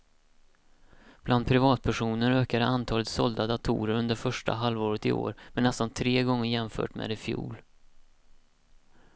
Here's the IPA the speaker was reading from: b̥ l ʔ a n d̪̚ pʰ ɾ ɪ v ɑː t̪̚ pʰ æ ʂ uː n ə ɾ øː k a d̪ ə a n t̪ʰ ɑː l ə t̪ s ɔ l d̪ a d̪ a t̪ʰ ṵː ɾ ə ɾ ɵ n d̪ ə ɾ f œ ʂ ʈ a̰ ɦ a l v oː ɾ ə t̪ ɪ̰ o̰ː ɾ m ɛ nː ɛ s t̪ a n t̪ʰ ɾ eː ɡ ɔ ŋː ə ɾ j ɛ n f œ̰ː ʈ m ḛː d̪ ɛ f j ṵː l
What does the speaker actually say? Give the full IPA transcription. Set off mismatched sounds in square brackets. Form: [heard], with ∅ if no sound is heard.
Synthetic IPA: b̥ l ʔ a n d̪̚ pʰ ɾ ɪ v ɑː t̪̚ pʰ æ ʂ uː n ə ɾ øː k a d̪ ə a n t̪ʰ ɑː l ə t̪ s ɔ l d̪ a d̪ a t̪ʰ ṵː ɾ ə ɾ ɵ n d̪ ə ɾ f œ ʂ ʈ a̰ ɦ a l v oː ɾ ə t̪ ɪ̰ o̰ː ɾ m ɛ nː ɛ s t̪ a n t̪ʰ ɾ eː ɡ ɔ ŋː ə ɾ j ɛ [m] f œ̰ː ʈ m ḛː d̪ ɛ f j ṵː l